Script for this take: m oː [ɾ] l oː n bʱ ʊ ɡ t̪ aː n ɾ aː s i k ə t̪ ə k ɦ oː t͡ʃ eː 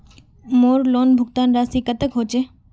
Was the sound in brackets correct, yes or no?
yes